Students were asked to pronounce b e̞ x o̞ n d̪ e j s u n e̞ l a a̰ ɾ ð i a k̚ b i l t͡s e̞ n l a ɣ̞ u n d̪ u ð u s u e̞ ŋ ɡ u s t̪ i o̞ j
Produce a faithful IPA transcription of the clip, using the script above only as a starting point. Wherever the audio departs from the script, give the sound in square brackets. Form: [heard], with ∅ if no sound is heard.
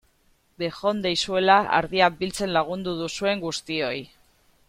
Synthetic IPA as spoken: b e̞ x o̞ n d̪ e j s u [∅] e̞ l a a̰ ɾ ð i a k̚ b i l t͡s e̞ n l a ɣ̞ u n d̪ u ð u s u e̞ ŋ ɡ u s t̪ i o̞ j